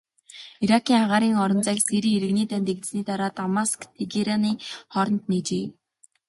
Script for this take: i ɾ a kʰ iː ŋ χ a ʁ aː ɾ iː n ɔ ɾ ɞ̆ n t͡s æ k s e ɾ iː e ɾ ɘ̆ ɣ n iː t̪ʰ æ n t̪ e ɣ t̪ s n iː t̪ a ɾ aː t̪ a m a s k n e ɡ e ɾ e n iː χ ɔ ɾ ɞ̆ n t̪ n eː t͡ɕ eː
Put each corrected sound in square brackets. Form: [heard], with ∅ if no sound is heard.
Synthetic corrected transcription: i ɾ a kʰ iː ŋ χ a ʁ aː ɾ iː [ŋ] ɔ ɾ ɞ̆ n t͡s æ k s e ɾ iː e ɾ ɘ̆ ɣ n iː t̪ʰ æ n t̪ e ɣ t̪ s n iː t̪ a ɾ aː t̪ a m a s k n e ɡ e ɾ [a] n iː χ ɔ ɾ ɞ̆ n t̪ n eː t͡ɕ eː